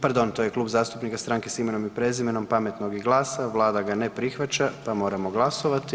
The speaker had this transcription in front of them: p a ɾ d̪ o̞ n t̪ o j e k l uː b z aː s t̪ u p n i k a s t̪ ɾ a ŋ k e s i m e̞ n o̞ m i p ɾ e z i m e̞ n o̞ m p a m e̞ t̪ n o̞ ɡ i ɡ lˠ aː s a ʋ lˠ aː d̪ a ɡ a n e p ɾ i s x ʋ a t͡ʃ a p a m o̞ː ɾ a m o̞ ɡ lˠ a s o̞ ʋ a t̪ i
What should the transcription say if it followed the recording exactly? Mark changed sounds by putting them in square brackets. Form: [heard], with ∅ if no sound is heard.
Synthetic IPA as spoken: p a ɾ d̪ o̞ n t̪ o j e k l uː b z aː s t̪ u p n i k a s t̪ ɾ a ŋ k e s i m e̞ n o̞ m i p ɾ e z i m e̞ n o̞ m p a m e̞ t̪ n o̞ ɡ i ɡ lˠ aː s a ʋ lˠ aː d̪ a ɡ a n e p ɾ i [∅] x ʋ a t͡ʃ a p a m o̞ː ɾ a m o̞ ɡ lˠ a s o̞ ʋ a t̪ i